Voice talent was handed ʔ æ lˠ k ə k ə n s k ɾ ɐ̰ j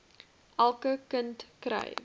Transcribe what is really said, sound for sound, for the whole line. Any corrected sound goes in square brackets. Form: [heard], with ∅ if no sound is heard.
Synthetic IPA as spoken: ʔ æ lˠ k ə k ə n [t] k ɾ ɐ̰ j